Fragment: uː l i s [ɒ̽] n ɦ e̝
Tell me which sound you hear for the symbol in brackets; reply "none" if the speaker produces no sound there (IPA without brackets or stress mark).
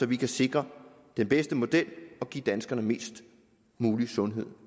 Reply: ɔ̽